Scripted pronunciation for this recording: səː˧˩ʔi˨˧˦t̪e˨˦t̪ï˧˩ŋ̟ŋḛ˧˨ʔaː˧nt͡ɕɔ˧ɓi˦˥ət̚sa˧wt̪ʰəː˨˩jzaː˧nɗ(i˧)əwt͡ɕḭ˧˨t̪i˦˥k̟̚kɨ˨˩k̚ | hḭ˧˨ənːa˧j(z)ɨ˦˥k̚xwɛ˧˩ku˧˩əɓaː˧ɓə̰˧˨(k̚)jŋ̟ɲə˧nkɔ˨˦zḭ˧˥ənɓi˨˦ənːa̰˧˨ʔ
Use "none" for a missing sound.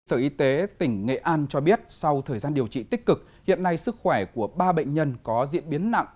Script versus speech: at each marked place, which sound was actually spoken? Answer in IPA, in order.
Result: i˨˩, s, none

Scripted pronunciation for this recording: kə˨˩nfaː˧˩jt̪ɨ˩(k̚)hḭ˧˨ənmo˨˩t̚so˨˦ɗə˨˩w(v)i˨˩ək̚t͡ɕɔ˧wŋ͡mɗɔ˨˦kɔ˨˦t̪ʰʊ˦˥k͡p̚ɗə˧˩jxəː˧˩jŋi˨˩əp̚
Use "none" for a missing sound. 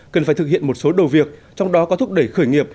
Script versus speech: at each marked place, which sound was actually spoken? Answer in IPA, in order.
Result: k̚, v

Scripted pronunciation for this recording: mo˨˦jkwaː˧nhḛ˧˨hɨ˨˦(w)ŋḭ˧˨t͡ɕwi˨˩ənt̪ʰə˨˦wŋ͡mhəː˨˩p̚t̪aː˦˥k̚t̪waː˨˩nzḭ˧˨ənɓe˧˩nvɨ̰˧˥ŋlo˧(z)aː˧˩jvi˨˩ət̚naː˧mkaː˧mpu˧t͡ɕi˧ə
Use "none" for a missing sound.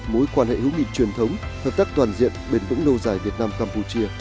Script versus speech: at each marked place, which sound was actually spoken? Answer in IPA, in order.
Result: w, z

